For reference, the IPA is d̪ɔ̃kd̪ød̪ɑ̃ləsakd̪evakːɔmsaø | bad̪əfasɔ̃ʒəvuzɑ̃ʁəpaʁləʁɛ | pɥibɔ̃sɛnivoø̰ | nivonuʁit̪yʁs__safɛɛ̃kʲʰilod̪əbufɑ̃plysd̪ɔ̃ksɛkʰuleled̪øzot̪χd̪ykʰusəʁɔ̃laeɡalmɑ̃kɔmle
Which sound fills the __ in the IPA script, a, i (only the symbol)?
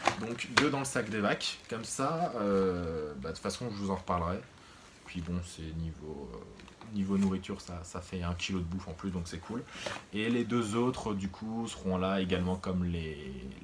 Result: a